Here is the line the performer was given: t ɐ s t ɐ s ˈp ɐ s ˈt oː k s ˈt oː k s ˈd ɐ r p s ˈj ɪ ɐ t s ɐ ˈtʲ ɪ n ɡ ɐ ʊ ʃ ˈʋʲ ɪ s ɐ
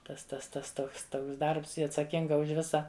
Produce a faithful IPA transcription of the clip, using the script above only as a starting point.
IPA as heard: t ɐ s t ɐ s ˈt ɐ s ˈt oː k s ˈt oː k s ˈd ɐ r p s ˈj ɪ ɐ t s ɐ ˈkʲ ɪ ŋ ɡ ɐ ʊ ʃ ˈʋʲ ɪ s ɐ